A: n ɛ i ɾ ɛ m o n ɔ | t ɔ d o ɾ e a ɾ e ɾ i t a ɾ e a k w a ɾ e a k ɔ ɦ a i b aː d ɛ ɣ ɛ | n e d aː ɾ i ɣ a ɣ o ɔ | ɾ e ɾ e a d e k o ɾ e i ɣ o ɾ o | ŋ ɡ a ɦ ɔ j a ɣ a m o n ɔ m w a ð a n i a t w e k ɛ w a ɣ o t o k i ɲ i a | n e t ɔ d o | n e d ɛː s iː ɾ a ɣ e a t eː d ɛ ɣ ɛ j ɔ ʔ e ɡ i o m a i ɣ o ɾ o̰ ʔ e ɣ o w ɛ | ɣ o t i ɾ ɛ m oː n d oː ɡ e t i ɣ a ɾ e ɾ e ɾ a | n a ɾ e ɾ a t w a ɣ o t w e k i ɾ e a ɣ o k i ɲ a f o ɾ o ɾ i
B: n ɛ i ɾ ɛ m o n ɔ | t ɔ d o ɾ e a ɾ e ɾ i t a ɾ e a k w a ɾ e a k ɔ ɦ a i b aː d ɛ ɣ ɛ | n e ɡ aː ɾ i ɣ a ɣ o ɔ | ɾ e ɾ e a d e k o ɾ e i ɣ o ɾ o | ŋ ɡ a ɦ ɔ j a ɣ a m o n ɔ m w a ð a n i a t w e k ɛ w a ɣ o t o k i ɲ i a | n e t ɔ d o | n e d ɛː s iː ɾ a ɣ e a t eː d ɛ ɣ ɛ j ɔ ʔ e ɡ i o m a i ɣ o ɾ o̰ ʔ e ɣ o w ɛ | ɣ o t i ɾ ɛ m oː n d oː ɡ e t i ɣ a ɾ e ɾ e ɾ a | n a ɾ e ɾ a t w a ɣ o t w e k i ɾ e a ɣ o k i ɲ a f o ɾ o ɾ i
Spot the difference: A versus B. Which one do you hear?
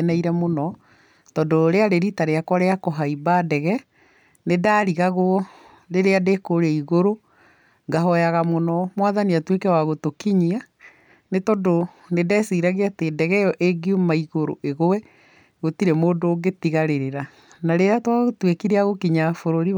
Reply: A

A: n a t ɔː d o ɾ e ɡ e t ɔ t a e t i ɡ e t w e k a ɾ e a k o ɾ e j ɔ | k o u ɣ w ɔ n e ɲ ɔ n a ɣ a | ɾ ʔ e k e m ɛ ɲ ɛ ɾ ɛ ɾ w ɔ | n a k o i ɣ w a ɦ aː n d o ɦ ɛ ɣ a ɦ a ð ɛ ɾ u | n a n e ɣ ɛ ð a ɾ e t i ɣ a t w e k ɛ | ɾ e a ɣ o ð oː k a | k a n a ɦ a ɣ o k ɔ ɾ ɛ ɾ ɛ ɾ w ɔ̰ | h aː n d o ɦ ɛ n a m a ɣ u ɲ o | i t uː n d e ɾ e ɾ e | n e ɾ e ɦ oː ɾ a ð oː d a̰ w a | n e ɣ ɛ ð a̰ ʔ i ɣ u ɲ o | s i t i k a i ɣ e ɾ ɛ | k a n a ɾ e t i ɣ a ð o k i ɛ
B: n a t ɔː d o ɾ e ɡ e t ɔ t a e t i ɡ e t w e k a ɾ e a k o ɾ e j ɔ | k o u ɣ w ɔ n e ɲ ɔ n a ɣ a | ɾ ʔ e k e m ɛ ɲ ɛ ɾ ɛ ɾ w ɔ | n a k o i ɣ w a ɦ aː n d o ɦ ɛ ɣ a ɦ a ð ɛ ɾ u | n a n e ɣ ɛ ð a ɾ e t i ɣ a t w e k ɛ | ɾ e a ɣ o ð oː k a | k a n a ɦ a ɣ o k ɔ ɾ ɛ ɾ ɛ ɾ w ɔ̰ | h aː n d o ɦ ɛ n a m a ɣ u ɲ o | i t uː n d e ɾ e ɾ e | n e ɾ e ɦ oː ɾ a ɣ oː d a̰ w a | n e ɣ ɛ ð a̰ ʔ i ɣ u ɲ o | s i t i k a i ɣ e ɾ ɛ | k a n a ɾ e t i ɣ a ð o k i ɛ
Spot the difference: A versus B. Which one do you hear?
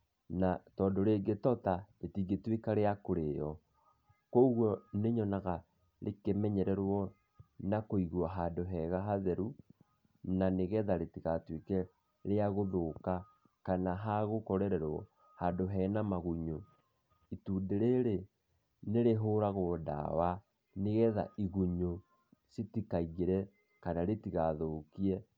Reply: B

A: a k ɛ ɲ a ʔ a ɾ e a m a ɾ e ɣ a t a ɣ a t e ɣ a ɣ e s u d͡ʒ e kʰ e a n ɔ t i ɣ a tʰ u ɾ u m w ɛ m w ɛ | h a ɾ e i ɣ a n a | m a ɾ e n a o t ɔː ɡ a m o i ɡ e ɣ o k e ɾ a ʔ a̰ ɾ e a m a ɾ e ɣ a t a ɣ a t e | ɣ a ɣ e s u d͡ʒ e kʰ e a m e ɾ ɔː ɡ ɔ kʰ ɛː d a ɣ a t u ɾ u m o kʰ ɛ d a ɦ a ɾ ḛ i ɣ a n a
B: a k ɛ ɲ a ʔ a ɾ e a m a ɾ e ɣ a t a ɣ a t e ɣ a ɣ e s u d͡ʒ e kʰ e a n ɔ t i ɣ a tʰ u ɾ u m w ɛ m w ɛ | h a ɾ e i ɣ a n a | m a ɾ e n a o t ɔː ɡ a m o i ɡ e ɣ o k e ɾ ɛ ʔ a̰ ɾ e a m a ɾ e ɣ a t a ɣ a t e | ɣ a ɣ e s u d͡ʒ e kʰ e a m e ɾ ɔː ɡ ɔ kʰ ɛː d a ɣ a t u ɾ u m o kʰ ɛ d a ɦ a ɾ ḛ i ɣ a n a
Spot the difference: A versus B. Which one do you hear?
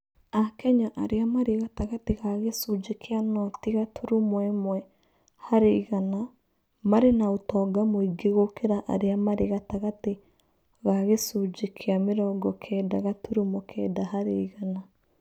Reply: A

